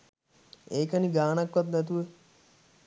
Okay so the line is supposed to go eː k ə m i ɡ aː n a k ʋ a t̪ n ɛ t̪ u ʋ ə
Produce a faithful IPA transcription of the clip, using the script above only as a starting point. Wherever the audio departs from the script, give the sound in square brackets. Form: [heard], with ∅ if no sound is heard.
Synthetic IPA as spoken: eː k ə [n] i ɡ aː n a k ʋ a t̪ n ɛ t̪ u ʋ ə

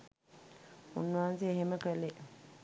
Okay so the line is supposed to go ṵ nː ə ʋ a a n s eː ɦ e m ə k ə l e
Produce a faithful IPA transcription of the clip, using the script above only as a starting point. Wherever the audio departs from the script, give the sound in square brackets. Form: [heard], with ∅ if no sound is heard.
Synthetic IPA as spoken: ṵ nː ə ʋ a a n s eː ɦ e m ə k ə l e

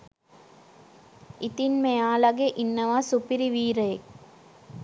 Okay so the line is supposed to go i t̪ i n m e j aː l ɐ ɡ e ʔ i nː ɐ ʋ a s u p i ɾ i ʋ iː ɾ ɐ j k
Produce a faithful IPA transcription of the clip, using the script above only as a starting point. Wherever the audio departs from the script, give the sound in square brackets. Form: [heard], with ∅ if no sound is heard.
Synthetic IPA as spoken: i t̪ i n m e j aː l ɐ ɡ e ʔ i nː ɐ ʋ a s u p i ɾ i ʋ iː ɾ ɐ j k

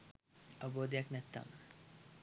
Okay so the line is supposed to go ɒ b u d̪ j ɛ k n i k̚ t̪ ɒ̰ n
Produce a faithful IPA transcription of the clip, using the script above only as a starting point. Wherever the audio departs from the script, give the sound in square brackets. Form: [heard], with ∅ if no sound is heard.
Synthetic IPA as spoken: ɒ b [o] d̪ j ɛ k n [ɛ] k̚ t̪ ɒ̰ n

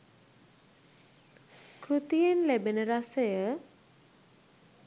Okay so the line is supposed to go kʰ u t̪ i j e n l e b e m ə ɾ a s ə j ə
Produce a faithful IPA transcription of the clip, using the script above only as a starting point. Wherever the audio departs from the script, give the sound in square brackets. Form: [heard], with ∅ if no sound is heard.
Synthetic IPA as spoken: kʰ u t̪ i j e n l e b e [n] ə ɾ a s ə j ə

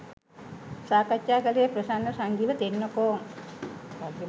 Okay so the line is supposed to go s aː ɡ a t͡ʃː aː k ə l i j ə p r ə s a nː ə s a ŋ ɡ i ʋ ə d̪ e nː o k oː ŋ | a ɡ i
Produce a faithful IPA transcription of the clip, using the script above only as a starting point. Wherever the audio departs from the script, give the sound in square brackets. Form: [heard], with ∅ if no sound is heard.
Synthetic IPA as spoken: s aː [k] a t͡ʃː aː k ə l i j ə p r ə s a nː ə s a ŋ ɡ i ʋ ə [t̪] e nː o k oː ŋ | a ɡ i

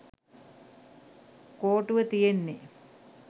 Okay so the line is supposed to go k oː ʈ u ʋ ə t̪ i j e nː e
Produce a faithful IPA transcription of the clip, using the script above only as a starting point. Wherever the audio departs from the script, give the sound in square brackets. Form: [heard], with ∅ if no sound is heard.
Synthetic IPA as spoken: k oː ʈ u ʋ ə t̪ i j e nː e

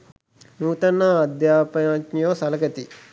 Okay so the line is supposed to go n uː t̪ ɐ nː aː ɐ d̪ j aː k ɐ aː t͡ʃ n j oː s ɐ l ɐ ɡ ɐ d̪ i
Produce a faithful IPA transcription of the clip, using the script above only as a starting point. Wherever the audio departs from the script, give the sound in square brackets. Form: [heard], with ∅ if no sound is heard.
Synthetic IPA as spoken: n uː t̪ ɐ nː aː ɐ d̪ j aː [p] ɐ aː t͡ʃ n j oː s ɐ l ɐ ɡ ɐ [t̪] i

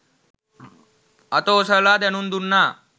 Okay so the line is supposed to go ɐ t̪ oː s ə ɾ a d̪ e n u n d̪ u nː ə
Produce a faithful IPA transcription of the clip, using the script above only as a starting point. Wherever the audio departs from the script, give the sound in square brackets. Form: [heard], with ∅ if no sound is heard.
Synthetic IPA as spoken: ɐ t̪ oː s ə [l] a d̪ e n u n d̪ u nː [a]

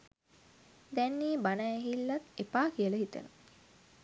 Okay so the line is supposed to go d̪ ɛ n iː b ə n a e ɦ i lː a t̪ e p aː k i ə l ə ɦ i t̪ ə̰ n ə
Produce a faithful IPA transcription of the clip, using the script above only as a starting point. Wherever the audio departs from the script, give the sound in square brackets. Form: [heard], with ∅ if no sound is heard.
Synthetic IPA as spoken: d̪ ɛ [nː] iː b [a] n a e ɦ i lː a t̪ e p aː k i ə l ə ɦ i t̪ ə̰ n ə

